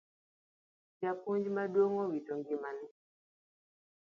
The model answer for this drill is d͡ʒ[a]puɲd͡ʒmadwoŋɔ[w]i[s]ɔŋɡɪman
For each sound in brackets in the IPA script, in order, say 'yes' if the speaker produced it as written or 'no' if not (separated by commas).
yes, yes, no